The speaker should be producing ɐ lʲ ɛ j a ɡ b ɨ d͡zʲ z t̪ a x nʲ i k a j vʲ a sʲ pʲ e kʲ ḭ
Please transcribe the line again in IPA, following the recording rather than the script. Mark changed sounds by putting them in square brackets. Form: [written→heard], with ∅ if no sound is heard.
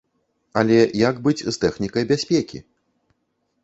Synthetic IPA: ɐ lʲ ɛ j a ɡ b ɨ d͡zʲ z t̪ [a→ɛ] x nʲ i k [a→ɐ] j [vʲ→bʲ] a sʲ pʲ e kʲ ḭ